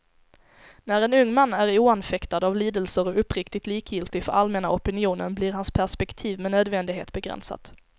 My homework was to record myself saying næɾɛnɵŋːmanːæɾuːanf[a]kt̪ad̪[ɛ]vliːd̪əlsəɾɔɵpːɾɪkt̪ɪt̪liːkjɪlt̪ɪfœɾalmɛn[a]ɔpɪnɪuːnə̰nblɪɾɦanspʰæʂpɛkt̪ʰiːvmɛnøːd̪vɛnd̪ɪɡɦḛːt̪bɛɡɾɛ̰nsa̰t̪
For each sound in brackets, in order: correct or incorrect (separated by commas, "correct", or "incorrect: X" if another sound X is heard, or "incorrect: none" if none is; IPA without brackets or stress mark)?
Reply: incorrect: ɛ, incorrect: a, correct